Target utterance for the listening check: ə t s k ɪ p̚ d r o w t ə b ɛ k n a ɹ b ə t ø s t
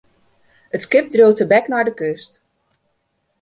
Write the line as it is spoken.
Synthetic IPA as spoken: ə t s k ɪ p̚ d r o w t ə b ɛ k n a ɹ d ə k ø s t

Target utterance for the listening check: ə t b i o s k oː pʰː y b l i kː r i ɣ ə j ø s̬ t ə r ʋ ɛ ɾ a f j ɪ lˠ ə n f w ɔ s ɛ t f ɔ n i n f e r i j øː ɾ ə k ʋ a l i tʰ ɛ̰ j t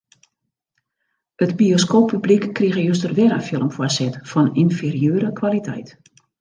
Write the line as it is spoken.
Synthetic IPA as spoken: ə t b i o s k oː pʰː y b l i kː r i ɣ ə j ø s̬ t ə r ʋ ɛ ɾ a f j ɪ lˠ ə m f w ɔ s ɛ t f ɔ n i n f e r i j øː ɾ ə k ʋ a l i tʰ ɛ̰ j t

